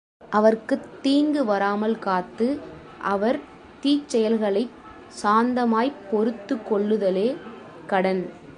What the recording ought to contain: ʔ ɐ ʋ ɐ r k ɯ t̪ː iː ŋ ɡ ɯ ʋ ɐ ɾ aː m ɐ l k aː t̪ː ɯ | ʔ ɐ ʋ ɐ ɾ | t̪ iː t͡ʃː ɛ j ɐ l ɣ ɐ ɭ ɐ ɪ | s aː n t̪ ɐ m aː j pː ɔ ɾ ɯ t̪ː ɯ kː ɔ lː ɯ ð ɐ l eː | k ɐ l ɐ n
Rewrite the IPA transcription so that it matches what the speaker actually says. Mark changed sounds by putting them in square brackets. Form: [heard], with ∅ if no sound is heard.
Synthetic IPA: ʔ ɐ ʋ ɐ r k ɯ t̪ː iː ŋ ɡ ɯ ʋ ɐ ɾ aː m ɐ l k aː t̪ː ɯ | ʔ ɐ ʋ ɐ ɾ | t̪ iː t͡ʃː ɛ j ɐ l ɣ ɐ ɭ ɐ ɪ | s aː n [d̪] ɐ m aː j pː ɔ ɾ ɯ t̪ː ɯ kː ɔ [ɭː] ɯ ð ɐ l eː | k ɐ [ɽ] ɐ n